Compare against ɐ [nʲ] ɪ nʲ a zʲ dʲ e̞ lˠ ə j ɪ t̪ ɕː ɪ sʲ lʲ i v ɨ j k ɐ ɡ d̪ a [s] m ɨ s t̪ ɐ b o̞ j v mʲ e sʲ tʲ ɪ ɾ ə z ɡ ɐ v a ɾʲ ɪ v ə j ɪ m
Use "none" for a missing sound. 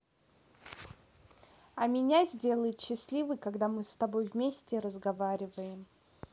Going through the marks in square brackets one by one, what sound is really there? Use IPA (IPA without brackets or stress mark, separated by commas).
mʲ, none